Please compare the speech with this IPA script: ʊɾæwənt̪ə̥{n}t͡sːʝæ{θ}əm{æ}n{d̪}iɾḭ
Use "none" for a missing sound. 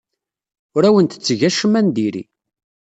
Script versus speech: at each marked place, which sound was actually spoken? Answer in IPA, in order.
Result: none, ʃ, æ, d̪

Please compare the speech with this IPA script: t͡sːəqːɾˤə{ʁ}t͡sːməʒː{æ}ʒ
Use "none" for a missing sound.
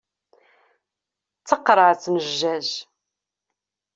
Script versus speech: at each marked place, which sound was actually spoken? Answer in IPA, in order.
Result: ʕ, æ

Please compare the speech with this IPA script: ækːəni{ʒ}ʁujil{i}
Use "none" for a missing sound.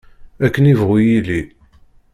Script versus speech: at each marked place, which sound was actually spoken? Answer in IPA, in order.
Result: v, i

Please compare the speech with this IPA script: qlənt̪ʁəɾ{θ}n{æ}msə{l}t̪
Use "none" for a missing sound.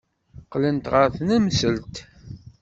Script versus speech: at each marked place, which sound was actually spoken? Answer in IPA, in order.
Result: θ, æ, l

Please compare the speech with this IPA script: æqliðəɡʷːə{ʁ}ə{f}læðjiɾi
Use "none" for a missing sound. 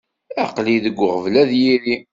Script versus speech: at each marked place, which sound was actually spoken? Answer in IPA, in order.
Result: ʁ, v

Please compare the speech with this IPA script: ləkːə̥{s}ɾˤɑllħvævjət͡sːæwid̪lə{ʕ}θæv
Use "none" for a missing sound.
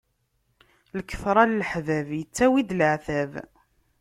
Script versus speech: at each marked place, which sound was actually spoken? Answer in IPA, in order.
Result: f, ʕ

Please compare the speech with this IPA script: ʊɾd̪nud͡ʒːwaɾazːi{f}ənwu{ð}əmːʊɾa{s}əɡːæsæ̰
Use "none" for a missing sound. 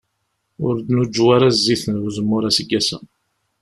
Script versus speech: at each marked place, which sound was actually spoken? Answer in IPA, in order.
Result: θ, z, s

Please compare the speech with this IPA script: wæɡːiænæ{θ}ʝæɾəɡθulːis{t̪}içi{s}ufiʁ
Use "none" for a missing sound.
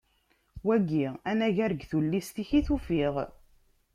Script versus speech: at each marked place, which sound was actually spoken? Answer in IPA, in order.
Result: none, t̪, θ

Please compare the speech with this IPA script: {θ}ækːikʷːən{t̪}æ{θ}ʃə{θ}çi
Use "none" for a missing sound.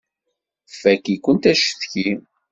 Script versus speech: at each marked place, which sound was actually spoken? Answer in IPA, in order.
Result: f, t̪, none, θ

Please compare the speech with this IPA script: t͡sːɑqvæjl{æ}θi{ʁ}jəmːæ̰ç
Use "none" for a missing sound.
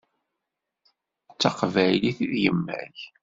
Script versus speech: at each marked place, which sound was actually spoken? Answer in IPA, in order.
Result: i, ð

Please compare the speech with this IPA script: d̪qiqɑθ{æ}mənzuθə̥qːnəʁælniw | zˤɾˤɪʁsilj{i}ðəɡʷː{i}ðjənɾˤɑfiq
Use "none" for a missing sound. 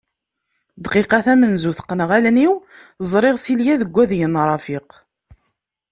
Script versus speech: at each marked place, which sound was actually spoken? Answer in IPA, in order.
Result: æ, æ, æ

